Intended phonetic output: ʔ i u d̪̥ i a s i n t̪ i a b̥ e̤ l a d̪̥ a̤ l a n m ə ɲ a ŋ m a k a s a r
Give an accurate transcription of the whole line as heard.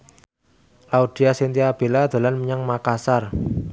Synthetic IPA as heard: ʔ a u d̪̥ i a s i n t̪ i a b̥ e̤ l a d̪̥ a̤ l a n m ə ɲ a ŋ m a k a s a r